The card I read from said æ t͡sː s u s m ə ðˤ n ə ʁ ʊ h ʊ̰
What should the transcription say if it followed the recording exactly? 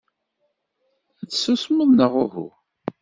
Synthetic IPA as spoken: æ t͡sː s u s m ə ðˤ n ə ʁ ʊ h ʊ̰